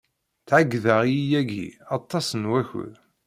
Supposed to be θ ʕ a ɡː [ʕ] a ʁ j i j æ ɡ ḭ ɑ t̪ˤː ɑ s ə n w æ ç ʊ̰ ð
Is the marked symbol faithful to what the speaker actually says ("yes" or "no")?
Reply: no